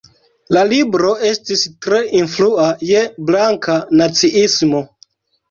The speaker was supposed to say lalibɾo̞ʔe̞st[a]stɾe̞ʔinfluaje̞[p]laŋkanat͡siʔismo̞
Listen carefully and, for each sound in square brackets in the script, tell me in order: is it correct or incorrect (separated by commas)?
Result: incorrect, incorrect